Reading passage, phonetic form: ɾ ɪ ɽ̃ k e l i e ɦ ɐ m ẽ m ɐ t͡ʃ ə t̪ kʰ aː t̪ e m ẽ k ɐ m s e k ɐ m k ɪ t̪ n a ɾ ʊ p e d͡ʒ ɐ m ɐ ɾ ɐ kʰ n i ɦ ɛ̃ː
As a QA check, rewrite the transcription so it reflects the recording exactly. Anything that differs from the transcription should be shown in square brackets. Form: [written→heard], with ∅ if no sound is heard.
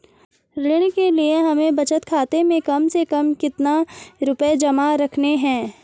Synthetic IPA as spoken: ɾ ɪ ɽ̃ k e l i e ɦ ɐ m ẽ [m→b] ɐ t͡ʃ ə t̪ kʰ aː t̪ e m ẽ k ɐ m s e k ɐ m k ɪ t̪ n a ɾ ʊ p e d͡ʒ ɐ m [ɐ→a] ɾ ɐ kʰ n [i→e] ɦ ɛ̃ː